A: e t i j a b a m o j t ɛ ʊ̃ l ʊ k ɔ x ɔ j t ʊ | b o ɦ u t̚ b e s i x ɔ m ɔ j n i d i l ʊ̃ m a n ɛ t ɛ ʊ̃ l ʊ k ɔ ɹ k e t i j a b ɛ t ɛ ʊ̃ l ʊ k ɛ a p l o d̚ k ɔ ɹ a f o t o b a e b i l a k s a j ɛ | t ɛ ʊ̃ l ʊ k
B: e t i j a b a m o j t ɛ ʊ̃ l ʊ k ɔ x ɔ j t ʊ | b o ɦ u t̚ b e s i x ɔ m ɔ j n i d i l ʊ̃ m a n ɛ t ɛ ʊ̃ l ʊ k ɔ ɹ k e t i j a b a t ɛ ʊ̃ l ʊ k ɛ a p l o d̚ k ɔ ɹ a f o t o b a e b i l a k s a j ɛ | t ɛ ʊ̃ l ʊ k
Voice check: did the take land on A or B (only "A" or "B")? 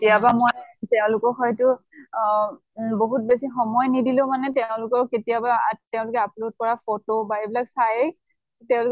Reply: B